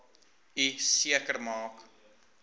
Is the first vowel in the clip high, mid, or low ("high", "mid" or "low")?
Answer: high